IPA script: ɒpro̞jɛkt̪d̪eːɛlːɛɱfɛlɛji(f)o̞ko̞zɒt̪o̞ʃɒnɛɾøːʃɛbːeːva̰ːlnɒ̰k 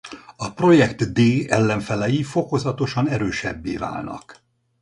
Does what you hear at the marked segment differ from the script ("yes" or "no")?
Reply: no